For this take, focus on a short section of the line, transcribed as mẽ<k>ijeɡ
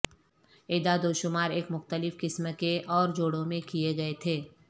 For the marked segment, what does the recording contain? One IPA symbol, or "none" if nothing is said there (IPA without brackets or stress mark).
k